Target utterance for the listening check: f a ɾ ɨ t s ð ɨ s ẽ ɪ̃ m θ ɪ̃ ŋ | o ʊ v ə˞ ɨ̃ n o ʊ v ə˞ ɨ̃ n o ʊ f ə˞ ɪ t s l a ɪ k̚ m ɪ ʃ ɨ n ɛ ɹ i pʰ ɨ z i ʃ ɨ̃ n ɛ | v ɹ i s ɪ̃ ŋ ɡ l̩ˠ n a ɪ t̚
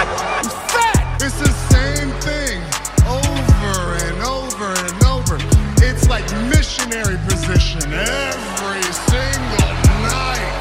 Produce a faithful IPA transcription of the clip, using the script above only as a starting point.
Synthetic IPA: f æ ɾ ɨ t s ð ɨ s ẽ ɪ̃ m θ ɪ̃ ŋ | o ʊ v ə˞ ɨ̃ n o ʊ v ə˞ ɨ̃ n o ʊ v ə˞ ɪ t s l a ɪ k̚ m ɪ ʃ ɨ n ɛ ɹ i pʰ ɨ z ɪ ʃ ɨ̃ n ɛ | v ɹ i s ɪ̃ ŋ ɡ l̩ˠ n a ɪ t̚